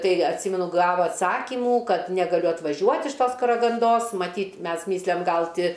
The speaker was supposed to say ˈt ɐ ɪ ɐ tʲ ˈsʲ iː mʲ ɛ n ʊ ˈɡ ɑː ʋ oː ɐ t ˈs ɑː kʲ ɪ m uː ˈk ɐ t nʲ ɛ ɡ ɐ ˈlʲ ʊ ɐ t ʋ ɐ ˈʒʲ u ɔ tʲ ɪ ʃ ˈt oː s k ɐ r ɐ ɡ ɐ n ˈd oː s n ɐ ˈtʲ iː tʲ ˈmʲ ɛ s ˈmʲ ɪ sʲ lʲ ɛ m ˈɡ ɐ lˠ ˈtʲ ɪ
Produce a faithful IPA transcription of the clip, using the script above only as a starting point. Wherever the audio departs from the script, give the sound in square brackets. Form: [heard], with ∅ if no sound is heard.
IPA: ˈt ɐ ɪ ɐ tʲ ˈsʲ iː mʲ ɛ n ʊ ˈɡ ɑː ʋ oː ɐ t ˈs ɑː kʲ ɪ m uː ˈk ɐ t nʲ ɛ ɡ ɐ ˈlʲ ʊ ɐ t ʋ ɐ ˈʒʲ u ɔ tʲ ɪ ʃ ˈt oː s k ɐ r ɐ ɡ ɐ n ˈd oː s [m] ɐ ˈtʲ iː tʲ ˈmʲ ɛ s ˈmʲ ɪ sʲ lʲ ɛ m ˈɡ ɐ lˠ ˈtʲ ɪ